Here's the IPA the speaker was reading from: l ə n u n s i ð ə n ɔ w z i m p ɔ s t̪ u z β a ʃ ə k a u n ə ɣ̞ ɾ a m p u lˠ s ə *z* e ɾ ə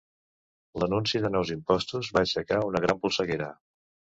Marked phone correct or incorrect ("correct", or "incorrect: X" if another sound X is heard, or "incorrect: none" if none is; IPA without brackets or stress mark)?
incorrect: ɣ